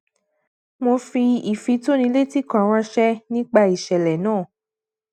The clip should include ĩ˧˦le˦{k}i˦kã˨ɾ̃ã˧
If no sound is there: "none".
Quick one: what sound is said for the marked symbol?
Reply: t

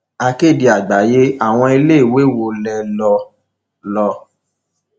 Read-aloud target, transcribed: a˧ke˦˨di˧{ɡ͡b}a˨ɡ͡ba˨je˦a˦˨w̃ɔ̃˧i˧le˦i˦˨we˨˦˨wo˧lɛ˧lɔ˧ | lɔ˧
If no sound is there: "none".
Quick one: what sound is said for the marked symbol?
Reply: none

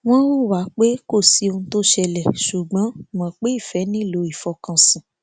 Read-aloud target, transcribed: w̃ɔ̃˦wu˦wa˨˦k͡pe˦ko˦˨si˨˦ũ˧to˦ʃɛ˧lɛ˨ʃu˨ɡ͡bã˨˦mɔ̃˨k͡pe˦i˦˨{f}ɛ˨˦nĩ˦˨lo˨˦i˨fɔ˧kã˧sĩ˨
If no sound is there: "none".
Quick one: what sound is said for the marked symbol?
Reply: f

